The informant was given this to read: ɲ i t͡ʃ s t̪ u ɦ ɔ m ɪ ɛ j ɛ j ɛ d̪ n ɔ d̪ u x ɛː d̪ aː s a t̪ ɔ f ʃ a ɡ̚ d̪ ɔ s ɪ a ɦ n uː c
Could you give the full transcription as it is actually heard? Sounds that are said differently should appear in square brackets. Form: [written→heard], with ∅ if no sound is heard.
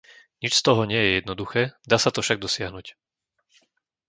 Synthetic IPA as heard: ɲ i t͡ʃ s t̪ [u→ɔ] ɦ ɔ [m→ɲ] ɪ ɛ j ɛ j ɛ d̪ n ɔ d̪ u x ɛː d̪ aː s a t̪ ɔ f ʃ a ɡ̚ d̪ ɔ s ɪ a ɦ n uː c